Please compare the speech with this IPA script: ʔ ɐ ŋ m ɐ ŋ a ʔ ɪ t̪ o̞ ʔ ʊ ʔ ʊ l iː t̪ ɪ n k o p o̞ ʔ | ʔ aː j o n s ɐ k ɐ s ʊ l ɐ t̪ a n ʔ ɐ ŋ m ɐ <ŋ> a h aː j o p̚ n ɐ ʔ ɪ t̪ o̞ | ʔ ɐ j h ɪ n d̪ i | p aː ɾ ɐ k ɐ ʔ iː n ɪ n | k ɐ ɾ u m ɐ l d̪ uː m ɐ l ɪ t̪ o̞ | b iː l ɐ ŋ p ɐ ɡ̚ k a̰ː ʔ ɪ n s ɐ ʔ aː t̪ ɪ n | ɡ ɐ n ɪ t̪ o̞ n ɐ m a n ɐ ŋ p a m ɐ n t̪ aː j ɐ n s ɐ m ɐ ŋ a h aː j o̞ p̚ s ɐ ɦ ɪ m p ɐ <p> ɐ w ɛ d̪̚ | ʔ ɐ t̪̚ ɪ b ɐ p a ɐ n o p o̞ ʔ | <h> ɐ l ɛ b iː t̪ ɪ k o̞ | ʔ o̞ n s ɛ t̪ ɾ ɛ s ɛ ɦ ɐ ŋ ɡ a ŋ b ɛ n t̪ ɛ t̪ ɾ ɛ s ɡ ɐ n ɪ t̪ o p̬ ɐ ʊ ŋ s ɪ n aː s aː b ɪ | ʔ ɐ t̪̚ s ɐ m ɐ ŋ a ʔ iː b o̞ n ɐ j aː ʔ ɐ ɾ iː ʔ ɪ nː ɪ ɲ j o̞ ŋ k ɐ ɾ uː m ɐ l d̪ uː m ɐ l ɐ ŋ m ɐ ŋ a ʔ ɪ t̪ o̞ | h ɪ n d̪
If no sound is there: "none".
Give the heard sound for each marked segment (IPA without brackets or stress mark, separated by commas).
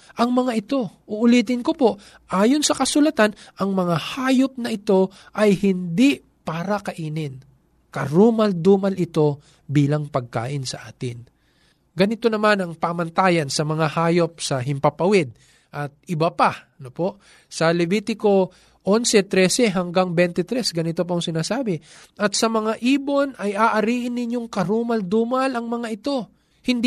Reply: ŋ, p, s